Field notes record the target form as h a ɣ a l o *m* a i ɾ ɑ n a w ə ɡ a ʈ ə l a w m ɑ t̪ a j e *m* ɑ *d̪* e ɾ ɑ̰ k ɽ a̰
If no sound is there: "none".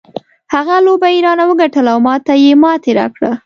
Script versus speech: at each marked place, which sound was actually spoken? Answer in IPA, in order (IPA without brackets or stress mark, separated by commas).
b, m, t̪